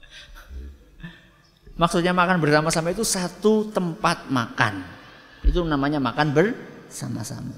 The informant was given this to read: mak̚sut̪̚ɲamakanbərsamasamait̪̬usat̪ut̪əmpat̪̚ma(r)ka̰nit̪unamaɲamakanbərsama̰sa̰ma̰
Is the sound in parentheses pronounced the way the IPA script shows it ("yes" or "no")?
no